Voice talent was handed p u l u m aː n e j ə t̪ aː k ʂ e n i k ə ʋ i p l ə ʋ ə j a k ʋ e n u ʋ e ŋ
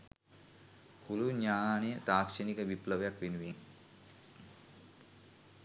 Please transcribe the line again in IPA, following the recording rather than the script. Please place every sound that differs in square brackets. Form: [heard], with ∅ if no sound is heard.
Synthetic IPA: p u l u [ɲ] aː n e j ə t̪ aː k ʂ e n i k ə ʋ i p l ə ʋ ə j a k ʋ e n u ʋ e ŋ